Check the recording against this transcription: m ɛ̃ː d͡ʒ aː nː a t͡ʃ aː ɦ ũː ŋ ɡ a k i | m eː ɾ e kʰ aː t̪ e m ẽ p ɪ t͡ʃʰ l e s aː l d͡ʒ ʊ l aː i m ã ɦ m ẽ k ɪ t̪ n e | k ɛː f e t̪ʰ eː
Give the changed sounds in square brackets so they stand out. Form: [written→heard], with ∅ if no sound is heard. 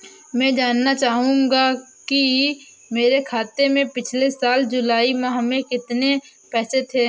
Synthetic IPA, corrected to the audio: m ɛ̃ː d͡ʒ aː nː a t͡ʃ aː ɦ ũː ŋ ɡ a k i | m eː ɾ e kʰ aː t̪ e m ẽ p ɪ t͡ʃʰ l e s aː l d͡ʒ ʊ l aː i m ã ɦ m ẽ k ɪ t̪ n e | [k→p] ɛː [f→s] e t̪ʰ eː